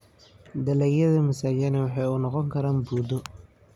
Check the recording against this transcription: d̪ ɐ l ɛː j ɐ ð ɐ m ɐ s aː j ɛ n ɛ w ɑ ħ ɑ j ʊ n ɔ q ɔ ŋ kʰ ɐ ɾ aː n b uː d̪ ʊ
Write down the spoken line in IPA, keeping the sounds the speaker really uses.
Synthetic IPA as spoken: d̪ ɐ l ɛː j ɐ ð ɐ m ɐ s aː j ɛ n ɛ w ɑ ħ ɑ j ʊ n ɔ q ɔ ŋ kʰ ɐ ɾ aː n b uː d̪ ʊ